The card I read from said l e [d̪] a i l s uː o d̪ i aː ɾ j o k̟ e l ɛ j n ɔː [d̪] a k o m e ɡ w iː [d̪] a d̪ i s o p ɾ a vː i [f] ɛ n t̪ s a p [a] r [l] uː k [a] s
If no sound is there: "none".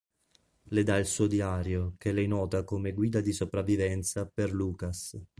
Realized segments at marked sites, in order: d̪, t̪, d̪, v, e, l, a

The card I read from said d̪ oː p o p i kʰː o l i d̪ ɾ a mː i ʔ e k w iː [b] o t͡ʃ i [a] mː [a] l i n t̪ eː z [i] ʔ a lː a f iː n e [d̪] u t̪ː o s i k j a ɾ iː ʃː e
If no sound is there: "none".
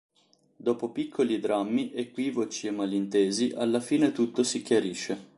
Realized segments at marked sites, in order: v, e, a, i, t̪

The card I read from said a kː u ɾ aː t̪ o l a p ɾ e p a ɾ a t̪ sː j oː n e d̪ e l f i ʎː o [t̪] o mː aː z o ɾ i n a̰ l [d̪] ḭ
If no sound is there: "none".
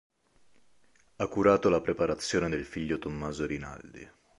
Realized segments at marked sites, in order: t̪, d̪

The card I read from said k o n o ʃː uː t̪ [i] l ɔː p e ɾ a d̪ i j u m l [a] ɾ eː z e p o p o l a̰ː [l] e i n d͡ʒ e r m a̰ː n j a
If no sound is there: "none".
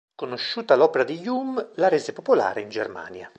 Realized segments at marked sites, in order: a, a, ɾ

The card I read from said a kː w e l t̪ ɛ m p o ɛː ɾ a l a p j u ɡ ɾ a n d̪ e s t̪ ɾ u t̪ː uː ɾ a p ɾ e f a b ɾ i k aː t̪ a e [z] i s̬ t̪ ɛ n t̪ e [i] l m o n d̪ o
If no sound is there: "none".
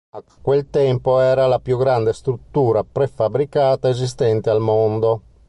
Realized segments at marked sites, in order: z, a

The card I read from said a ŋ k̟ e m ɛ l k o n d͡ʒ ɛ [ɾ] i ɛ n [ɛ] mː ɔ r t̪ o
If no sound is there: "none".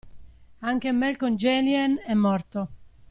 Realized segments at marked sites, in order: l, ɛ

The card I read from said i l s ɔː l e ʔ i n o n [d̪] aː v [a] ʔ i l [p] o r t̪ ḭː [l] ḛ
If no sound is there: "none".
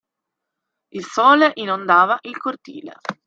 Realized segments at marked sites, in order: d̪, a, k, l

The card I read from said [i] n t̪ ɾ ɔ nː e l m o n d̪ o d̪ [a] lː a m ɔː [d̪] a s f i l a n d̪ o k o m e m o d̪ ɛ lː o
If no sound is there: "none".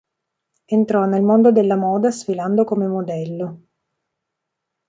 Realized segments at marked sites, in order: e, e, d̪

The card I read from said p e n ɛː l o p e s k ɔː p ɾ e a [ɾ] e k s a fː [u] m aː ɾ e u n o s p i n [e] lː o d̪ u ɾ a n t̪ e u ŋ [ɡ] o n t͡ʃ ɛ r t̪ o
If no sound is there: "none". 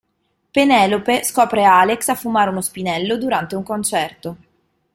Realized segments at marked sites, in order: l, u, ɛ, k

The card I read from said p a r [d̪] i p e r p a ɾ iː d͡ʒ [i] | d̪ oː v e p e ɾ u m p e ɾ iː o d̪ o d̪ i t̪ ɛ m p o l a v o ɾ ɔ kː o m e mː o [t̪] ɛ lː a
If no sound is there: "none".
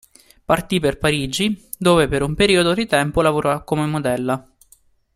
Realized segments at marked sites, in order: t̪, i, d̪

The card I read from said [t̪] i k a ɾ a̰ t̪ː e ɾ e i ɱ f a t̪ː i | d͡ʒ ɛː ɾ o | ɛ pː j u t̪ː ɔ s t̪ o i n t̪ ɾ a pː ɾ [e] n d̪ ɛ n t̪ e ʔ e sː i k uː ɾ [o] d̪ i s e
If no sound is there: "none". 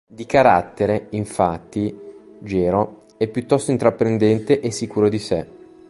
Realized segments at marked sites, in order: d̪, e, o

